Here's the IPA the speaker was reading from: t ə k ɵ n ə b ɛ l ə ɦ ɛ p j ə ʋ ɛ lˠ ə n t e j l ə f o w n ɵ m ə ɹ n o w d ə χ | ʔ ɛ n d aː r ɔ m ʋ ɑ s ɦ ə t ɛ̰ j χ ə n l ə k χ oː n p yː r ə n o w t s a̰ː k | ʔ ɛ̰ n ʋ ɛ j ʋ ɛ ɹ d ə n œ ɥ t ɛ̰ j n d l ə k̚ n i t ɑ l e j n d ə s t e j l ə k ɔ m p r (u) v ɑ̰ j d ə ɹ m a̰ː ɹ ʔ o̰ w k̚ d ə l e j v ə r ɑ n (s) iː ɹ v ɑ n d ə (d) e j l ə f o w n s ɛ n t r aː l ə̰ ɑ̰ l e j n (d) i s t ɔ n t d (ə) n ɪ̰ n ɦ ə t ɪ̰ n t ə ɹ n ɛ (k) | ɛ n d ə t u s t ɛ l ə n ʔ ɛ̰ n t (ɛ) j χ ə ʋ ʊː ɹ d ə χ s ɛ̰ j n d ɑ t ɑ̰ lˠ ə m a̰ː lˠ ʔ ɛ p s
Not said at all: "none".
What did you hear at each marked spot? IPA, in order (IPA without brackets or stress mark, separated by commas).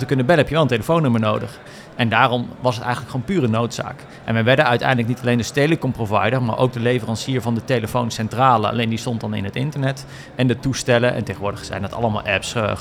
o, s, t, d, ɑ, t, e